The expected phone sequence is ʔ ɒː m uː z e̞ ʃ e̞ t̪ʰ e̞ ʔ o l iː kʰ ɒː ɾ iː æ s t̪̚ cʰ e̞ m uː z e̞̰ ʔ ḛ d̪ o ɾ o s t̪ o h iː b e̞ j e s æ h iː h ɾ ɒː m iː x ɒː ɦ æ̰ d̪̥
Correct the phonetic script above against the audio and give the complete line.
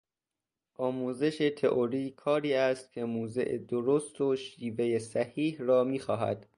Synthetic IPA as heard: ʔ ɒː m uː z e̞ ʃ e̞ t̪ʰ e̞ ʔ o ɾ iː kʰ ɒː ɾ iː æ s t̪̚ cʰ e̞ m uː z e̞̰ ʔ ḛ d̪ o ɾ o s t̪ o ʃ iː v e̞ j e s æ h iː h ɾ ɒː m iː x ɒː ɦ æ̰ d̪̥